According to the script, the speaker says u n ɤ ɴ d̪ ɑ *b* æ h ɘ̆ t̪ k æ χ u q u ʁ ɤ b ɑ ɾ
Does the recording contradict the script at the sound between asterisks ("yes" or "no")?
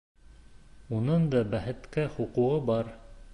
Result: no